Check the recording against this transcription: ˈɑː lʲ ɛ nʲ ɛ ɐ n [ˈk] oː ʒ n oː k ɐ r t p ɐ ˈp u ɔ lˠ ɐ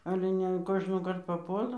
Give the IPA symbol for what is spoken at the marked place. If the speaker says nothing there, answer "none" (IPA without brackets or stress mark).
k